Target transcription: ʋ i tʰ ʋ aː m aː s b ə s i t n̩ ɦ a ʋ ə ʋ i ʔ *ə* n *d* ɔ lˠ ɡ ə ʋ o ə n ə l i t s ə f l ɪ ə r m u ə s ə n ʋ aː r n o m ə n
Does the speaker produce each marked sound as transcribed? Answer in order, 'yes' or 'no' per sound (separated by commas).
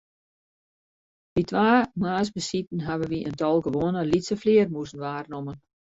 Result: yes, no